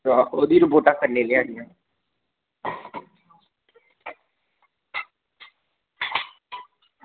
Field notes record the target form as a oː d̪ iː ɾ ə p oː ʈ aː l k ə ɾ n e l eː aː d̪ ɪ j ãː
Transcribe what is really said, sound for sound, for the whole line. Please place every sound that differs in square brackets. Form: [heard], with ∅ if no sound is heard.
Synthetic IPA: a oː d̪ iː ɾ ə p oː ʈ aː [∅] k ə ɾ n e l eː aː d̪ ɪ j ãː